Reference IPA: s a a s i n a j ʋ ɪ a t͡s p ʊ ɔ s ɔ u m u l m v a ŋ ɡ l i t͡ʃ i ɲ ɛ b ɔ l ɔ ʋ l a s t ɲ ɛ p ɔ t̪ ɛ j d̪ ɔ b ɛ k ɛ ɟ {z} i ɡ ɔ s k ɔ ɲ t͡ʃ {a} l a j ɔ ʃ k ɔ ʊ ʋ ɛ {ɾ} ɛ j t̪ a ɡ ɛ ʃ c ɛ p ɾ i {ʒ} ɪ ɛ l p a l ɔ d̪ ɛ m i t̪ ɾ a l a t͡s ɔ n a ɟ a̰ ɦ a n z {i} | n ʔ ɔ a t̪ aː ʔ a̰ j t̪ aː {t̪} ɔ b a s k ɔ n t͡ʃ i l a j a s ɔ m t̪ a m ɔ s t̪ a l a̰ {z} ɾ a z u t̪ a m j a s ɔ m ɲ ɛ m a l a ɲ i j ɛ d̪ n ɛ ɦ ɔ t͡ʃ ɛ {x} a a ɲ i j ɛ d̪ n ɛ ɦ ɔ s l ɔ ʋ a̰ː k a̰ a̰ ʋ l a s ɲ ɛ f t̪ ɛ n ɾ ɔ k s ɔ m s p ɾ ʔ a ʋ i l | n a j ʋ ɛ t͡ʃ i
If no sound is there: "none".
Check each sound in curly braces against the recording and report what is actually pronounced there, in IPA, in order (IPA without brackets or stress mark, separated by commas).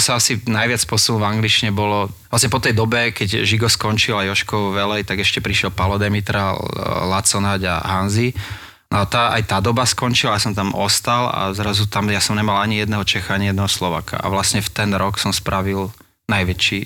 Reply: ʒ, i, l, ʃ, i, d̪, z, x